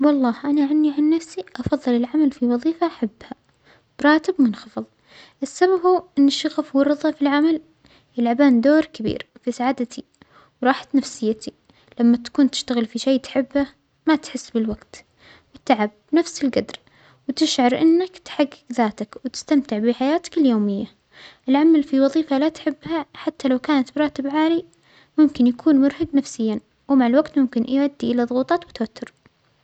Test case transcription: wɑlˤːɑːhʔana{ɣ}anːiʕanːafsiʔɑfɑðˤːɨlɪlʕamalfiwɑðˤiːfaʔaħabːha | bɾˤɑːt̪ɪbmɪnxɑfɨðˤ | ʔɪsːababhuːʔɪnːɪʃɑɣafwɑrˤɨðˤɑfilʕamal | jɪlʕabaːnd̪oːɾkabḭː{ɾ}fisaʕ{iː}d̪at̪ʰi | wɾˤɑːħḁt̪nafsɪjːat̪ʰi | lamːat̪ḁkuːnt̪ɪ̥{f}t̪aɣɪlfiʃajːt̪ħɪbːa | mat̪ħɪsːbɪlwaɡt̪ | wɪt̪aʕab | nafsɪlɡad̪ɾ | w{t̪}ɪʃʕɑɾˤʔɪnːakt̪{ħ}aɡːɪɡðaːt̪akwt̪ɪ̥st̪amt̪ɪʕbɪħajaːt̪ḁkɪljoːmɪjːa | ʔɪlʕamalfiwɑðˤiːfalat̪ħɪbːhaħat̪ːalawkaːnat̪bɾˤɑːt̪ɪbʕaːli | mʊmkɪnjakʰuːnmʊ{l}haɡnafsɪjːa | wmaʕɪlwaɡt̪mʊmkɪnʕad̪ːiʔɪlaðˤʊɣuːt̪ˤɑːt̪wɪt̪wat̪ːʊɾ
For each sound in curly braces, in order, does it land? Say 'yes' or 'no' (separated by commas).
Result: no, yes, no, no, yes, yes, no